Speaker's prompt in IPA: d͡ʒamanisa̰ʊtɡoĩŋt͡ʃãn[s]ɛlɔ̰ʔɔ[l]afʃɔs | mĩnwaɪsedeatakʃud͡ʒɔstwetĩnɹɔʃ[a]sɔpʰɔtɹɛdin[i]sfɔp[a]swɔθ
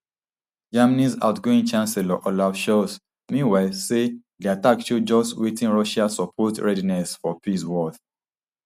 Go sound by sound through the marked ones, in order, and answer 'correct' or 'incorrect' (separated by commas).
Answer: correct, correct, correct, incorrect, incorrect